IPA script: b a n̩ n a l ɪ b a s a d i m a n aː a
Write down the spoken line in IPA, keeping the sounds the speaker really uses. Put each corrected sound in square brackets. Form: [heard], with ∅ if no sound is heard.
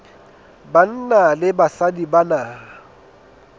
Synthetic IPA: b a n̩ n a l ɪ b a s a d i [b] a n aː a